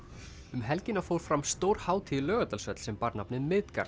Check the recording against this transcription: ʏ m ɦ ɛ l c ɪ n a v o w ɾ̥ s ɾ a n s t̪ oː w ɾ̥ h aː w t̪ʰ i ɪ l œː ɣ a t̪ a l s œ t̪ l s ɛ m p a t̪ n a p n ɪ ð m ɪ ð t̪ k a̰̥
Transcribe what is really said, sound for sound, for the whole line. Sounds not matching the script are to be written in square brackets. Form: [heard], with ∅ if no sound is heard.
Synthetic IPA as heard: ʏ m ɦ ɛ l c ɪ n a [f] o w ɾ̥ [f] ɾ a [m] s t̪ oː w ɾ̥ h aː w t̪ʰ i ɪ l œː ɣ a t̪ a l s œ t̪ l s ɛ m p a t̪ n a p n ɪ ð m ɪ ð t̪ k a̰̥